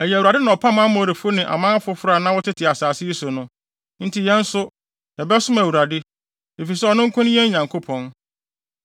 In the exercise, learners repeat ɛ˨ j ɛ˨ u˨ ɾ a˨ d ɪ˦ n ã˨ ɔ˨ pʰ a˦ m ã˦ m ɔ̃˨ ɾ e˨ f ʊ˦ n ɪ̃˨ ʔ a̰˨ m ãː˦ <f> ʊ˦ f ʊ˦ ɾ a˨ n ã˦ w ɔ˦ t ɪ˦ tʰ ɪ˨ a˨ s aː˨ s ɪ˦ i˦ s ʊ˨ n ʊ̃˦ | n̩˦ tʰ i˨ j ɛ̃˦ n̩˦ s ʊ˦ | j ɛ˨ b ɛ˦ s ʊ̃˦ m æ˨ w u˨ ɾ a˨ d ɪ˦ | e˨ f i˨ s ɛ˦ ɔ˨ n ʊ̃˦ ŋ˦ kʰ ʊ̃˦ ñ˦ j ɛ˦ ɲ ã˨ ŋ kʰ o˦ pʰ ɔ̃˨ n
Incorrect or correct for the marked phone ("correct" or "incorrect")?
correct